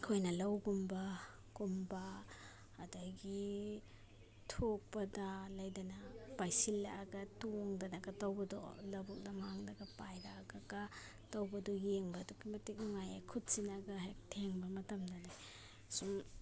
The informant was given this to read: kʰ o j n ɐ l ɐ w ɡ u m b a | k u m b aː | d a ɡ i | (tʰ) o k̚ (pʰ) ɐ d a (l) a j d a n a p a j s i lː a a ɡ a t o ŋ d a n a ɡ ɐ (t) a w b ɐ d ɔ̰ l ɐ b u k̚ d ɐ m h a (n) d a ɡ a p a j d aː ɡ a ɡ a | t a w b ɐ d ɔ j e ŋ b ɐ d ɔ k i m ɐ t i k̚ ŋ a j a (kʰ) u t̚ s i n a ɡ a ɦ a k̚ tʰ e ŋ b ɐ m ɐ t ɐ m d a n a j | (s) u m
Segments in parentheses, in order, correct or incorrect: correct, incorrect, correct, correct, incorrect, correct, correct

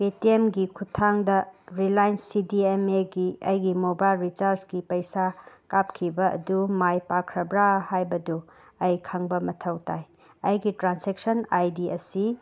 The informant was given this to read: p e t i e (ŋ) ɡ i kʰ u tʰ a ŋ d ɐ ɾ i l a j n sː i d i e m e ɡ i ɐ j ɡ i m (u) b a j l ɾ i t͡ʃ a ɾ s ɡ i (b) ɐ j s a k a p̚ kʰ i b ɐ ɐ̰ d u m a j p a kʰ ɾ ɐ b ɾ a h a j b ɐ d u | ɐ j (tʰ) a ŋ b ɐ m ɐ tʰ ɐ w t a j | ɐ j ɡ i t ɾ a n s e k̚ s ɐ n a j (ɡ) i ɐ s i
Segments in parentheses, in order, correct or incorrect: incorrect, incorrect, incorrect, incorrect, incorrect

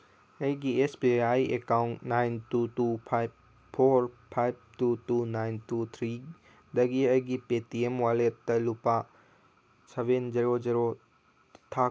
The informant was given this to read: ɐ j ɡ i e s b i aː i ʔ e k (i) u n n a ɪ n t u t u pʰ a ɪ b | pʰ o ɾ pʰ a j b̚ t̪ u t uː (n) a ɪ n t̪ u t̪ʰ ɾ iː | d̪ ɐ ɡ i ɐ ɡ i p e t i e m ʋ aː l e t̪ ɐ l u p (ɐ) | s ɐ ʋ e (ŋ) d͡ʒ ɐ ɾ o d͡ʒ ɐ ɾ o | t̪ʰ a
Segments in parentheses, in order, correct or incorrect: incorrect, correct, incorrect, incorrect

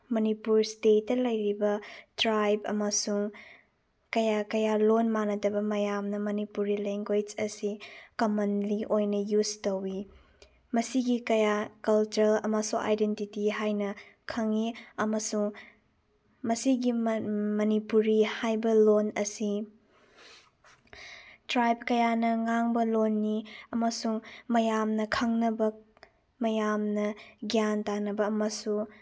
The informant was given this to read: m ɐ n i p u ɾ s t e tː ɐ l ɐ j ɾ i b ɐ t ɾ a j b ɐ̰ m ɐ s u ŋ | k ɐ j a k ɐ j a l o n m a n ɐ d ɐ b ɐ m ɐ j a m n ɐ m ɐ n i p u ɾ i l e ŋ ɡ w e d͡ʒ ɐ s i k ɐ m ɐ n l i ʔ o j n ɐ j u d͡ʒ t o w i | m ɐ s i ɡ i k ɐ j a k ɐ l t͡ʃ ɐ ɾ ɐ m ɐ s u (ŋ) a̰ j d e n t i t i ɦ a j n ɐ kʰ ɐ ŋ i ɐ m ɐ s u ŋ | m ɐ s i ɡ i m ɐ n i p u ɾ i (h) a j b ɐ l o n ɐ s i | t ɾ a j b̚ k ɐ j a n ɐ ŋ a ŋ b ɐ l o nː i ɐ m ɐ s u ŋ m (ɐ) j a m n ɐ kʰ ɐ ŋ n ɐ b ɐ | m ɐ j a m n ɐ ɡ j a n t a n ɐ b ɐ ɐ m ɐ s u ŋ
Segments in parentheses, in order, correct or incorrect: correct, correct, correct

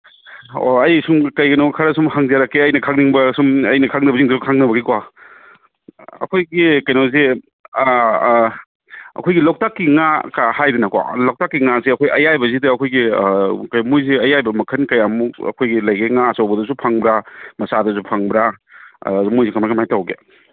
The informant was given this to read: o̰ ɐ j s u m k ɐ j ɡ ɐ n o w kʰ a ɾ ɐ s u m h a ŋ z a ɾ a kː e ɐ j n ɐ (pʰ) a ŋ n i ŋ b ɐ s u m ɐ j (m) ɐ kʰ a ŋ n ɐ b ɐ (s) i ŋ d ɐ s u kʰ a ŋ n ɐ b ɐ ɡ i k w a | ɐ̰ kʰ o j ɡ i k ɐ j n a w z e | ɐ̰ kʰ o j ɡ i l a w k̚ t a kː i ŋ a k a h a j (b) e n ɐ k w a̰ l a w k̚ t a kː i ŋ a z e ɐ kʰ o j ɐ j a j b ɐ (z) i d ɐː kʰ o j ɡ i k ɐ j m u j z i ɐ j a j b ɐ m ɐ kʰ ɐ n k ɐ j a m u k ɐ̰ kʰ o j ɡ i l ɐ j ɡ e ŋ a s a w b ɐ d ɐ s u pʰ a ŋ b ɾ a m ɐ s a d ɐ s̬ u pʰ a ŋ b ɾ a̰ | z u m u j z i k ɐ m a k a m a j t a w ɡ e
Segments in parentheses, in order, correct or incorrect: incorrect, incorrect, incorrect, incorrect, correct

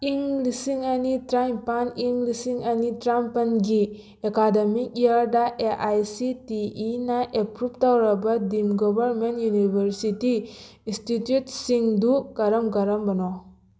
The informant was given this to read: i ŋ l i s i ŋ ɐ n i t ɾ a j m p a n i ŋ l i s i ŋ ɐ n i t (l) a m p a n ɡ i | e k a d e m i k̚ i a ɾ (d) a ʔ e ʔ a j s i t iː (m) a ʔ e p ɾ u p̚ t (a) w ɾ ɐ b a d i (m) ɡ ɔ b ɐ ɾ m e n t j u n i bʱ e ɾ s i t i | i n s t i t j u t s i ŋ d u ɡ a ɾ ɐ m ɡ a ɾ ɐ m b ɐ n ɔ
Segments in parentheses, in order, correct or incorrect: incorrect, correct, incorrect, correct, correct

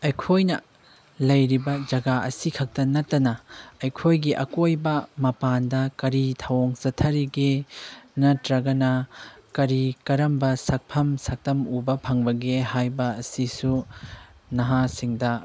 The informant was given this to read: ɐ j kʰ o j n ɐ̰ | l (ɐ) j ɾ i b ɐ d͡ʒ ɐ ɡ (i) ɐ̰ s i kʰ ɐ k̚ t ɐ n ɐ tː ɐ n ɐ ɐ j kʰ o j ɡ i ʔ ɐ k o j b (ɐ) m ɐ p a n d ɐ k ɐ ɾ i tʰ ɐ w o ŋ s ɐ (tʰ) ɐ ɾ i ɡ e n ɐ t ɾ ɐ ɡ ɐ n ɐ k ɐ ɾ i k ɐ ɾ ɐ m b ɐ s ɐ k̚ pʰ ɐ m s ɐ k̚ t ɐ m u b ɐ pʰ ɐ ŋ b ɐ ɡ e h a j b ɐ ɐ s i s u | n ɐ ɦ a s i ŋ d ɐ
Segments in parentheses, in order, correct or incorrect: correct, incorrect, correct, correct

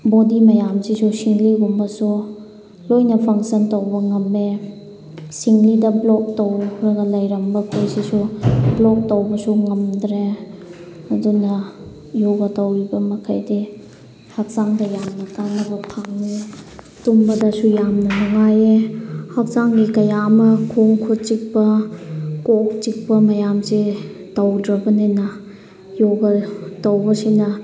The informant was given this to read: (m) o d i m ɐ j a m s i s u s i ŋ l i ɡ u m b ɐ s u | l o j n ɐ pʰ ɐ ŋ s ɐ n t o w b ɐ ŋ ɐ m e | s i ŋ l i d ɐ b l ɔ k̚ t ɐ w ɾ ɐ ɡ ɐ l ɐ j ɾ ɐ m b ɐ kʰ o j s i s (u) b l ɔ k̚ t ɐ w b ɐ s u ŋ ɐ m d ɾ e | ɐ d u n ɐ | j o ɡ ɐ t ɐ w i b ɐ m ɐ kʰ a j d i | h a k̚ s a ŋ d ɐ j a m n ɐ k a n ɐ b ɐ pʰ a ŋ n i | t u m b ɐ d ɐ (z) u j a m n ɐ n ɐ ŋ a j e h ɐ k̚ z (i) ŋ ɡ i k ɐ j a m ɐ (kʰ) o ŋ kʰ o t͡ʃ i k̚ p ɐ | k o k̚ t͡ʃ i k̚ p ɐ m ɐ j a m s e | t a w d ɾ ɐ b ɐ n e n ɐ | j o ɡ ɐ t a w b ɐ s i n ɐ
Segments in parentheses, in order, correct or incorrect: incorrect, correct, incorrect, incorrect, correct

